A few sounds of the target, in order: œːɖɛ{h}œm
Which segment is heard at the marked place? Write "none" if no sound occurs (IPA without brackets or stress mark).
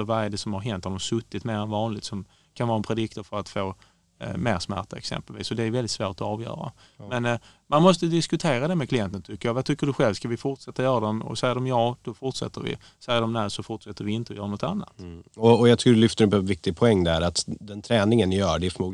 f